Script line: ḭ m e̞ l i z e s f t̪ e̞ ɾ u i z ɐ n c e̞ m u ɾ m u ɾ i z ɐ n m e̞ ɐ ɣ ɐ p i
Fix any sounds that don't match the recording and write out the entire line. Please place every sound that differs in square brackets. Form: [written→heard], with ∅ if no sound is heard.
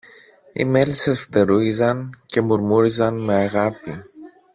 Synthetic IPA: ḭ m e̞ l i [z→s] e s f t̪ e̞ ɾ u i z ɐ n c e̞ m u ɾ m u ɾ i z ɐ n m e̞ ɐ ɣ ɐ p i